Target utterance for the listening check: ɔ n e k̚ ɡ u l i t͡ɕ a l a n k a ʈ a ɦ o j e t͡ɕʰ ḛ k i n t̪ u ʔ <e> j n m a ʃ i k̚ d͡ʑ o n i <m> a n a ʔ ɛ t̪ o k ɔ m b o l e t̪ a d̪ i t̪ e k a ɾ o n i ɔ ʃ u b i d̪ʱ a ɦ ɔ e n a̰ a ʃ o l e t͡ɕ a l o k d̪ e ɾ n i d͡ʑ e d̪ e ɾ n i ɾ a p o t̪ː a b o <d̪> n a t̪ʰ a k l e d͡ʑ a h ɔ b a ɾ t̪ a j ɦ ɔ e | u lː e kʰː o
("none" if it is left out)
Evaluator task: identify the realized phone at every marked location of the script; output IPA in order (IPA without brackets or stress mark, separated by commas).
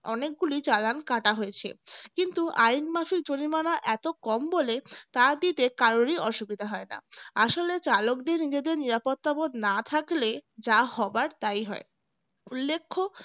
a, m, d̪